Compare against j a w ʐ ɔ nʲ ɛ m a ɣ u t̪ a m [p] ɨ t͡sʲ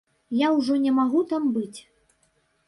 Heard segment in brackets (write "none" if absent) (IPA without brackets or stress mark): b